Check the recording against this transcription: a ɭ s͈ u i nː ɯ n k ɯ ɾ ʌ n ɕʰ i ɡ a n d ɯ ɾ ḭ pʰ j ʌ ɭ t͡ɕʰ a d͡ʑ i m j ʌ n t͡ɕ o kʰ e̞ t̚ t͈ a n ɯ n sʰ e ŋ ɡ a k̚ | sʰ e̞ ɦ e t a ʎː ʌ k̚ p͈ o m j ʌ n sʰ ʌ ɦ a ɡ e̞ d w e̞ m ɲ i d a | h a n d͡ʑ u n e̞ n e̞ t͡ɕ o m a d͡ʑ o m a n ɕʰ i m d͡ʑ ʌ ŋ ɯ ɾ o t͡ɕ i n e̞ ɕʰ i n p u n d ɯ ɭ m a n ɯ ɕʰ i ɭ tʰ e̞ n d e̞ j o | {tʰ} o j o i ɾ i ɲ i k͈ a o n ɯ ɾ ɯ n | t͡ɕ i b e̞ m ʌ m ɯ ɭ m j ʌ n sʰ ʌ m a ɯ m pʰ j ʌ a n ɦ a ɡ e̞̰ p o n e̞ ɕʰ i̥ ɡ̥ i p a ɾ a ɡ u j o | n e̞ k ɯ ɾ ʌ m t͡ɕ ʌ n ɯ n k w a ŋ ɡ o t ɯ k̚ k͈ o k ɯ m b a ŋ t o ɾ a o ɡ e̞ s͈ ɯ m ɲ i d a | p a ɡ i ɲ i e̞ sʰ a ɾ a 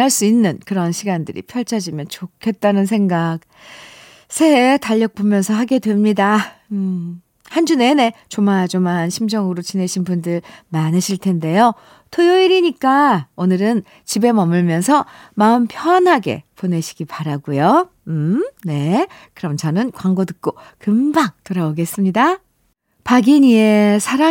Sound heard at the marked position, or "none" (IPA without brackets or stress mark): tʰ